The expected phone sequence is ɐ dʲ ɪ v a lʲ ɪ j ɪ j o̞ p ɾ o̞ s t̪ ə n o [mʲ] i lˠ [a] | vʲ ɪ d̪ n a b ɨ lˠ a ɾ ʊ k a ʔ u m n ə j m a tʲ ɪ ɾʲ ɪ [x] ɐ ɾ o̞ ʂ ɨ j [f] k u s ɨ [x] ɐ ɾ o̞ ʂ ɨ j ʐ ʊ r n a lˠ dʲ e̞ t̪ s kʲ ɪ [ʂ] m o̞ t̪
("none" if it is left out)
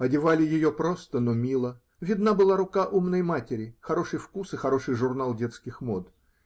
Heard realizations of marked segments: mʲ, ə, x, f, x, x

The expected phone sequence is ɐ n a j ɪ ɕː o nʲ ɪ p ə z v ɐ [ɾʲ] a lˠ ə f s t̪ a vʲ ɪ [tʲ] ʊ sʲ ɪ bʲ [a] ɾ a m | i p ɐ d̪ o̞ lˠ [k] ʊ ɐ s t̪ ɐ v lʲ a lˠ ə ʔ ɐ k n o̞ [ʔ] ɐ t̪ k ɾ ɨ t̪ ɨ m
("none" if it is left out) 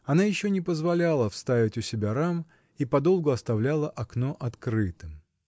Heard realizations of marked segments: lʲ, tʲ, a, ɡ, ʔ

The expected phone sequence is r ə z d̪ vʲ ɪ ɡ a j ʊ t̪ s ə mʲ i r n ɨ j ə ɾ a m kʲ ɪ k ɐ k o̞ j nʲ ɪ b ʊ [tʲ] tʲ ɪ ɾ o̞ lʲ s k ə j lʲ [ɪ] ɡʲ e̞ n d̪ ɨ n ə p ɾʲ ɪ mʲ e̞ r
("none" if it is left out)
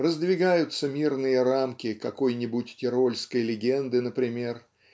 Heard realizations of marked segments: tʲ, ɪ

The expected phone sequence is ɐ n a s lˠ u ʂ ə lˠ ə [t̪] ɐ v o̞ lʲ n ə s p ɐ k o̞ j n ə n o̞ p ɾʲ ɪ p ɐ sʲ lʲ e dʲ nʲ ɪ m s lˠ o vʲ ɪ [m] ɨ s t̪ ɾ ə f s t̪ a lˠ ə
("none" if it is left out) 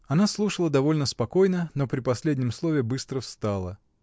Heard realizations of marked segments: d̪, b

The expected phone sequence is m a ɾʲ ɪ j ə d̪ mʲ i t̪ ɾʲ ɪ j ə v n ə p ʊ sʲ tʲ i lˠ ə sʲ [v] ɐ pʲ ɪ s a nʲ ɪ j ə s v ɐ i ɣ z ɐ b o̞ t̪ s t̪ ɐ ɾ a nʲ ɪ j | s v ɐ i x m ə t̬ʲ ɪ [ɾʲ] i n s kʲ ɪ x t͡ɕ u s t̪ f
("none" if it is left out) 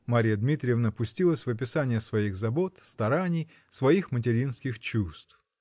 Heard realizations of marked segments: v, ɾʲ

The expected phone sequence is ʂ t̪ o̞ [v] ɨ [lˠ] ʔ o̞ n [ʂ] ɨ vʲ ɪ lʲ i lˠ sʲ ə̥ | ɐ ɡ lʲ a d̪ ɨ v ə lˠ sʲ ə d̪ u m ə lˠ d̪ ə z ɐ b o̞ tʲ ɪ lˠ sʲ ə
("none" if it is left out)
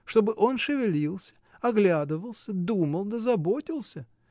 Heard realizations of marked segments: b, none, ʂ

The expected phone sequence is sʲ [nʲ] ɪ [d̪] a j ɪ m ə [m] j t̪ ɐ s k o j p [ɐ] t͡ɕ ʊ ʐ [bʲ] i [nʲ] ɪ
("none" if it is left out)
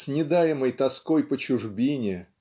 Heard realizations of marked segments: nʲ, d̪, none, ə, bʲ, nʲ

